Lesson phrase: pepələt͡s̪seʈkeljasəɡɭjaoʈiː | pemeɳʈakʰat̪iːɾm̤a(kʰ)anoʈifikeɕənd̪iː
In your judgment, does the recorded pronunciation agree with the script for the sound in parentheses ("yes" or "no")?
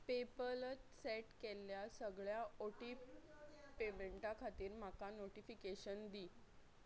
no